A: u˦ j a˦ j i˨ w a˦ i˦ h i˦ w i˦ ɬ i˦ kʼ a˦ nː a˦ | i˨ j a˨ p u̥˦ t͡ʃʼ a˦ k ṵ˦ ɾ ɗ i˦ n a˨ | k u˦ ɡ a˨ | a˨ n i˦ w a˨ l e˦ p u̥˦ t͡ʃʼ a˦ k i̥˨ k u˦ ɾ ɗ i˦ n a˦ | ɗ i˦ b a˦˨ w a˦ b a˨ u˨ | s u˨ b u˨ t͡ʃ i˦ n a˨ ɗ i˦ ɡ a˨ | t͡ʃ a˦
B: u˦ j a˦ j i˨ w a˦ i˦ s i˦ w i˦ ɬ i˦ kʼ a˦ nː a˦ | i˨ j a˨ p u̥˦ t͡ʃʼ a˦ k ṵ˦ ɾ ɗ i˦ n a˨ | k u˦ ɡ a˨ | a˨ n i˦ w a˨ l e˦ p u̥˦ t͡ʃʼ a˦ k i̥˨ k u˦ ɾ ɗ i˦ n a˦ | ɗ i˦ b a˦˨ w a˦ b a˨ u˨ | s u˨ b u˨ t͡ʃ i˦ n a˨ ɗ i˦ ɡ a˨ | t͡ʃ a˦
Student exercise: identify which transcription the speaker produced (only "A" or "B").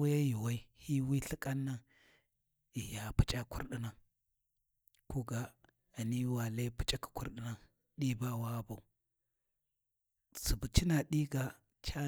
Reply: A